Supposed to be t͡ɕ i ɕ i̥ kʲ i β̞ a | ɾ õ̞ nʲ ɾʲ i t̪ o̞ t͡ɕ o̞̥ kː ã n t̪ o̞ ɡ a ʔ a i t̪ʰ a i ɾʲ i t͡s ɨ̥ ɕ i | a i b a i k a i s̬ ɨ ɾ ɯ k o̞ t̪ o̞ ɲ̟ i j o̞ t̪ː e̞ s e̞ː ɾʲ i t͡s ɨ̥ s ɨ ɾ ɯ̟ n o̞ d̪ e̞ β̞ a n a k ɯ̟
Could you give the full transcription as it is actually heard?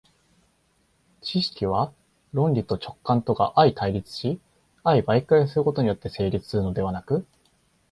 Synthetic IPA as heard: t͡ɕ i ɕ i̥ kʲ i β̞ a | ɾ õ̞ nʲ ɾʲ i t̪ o̞ t͡ɕ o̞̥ kː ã n t̪ o̞ ɡ a ʔ a i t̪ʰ a i ɾʲ i t͡s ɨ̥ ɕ i | a i b a i k a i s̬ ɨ ɾ ɯ k o̞ t̪ o̞ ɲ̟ i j o̞ t̪ː e̞ s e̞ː ɾʲ i t͡s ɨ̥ s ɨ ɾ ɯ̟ n o̞ d̪ e̞ β̞ a n a k ɯ̟